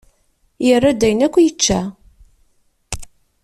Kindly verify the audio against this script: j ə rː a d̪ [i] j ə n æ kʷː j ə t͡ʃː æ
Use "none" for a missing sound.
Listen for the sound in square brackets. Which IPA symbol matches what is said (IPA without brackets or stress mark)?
æ